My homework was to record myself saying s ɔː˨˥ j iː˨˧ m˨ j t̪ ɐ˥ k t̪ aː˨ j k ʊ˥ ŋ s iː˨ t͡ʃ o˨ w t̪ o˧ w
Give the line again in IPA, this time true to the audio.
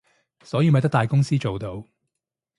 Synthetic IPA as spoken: s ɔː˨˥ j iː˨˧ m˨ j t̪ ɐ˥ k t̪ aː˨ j k ʊ˥ ŋ s iː˥ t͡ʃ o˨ w t̪ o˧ w

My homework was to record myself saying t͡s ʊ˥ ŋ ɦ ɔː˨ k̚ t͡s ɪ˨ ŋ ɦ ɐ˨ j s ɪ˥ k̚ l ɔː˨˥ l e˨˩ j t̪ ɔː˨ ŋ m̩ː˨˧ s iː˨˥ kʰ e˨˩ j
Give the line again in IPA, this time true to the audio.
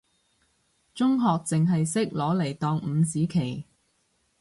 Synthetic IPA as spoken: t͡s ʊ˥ ŋ ɦ ɔː˨ k̚ t͡s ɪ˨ ŋ ɦ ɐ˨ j s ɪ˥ k̚ l ɔː˨˥ l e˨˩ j t̪ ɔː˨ ŋ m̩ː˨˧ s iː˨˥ kʰ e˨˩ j

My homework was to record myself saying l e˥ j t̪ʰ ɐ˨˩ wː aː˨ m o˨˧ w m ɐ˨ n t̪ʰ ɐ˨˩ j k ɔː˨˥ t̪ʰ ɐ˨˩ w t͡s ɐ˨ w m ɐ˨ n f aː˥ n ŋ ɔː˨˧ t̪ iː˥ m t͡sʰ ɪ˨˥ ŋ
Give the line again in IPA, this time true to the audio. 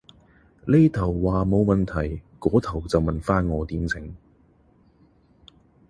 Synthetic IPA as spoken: l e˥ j t̪ʰ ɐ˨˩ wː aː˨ m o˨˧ w m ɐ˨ n t̪ʰ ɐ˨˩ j k ɔː˨˥ t̪ʰ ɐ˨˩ w t͡s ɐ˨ w m ɐ˨ n f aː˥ n ŋ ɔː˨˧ t̪ iː˨˥ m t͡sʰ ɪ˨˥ ŋ

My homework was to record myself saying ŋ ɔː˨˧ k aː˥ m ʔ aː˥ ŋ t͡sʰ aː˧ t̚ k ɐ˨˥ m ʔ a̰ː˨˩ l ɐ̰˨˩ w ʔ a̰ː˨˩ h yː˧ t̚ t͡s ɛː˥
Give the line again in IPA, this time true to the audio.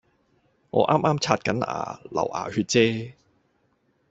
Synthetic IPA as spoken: ŋ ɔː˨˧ ʔ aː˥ m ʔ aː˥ m t͡sʰ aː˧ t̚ k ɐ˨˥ n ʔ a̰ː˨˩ l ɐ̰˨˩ w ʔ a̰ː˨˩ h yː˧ t̚ t͡s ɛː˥

